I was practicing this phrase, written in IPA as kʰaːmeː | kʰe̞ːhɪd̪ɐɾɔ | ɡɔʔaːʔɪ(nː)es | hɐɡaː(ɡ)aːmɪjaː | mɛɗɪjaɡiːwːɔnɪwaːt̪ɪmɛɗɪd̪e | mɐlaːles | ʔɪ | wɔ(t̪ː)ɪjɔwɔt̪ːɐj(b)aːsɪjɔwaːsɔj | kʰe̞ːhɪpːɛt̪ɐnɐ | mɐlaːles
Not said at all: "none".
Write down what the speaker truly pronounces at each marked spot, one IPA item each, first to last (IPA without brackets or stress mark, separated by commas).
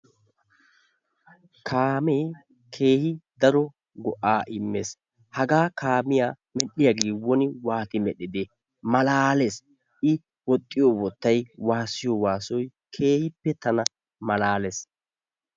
mː, k, t̪ʼː, w